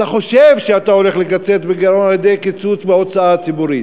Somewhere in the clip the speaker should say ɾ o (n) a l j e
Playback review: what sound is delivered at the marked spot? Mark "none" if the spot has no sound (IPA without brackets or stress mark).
n